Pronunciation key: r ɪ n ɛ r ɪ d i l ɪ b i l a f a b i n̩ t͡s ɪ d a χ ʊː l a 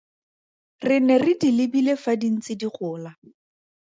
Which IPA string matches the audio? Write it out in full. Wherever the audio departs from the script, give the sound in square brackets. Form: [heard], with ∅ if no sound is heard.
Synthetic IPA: r ɪ n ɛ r ɪ d i l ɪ b i l [e] f a [d] i n̩ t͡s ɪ d [i] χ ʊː l a